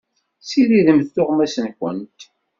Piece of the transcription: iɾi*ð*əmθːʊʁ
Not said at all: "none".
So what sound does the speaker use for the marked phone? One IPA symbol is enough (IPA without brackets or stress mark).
ð